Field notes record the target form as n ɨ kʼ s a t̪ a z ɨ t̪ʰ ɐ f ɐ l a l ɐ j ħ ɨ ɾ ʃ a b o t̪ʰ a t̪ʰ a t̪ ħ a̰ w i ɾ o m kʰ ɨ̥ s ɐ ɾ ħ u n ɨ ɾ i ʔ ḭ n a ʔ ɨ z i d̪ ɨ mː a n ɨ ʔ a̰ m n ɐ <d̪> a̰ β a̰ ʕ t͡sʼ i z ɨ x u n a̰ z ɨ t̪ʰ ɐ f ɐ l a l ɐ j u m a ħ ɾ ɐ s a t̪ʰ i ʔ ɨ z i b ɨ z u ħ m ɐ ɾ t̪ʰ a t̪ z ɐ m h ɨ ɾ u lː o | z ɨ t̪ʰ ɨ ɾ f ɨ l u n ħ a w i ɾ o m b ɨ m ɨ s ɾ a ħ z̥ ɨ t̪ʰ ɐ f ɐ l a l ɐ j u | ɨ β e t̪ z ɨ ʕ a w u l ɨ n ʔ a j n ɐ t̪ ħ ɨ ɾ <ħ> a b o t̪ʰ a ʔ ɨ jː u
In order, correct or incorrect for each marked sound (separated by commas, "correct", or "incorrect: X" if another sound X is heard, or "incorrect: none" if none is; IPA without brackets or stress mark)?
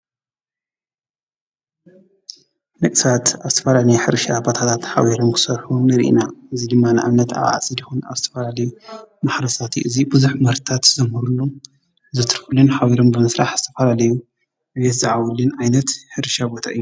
incorrect: t̪, incorrect: ʃ